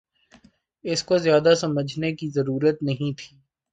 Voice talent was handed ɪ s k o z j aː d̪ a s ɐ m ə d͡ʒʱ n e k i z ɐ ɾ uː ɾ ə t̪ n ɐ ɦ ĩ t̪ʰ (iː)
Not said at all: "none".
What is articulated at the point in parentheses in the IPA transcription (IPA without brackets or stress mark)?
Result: iː